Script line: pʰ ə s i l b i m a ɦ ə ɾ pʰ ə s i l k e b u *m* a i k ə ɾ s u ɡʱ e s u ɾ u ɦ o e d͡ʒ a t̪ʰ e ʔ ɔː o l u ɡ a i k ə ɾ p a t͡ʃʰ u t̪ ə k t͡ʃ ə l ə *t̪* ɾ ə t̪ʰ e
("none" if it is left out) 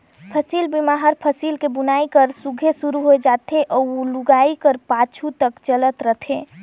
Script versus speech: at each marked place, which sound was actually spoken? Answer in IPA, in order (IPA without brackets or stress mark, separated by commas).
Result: n, t̪